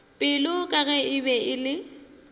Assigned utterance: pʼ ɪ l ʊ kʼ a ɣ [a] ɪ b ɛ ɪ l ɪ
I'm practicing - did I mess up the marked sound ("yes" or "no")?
yes